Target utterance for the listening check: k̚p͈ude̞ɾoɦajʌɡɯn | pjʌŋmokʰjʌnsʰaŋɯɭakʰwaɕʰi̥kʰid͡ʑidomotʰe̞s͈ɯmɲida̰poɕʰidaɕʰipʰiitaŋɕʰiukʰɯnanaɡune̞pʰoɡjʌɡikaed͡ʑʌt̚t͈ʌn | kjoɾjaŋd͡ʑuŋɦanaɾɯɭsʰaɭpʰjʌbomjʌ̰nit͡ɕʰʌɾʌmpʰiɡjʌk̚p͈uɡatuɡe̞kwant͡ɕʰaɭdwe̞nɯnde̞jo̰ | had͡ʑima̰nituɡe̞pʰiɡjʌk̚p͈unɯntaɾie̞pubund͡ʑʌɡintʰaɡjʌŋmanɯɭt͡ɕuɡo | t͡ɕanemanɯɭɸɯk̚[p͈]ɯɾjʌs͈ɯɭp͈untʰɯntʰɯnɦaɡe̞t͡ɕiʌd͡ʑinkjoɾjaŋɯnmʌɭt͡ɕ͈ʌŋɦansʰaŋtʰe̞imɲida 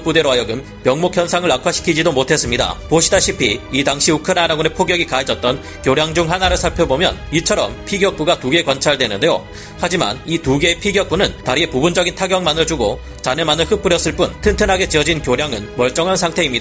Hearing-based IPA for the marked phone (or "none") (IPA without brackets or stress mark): p͈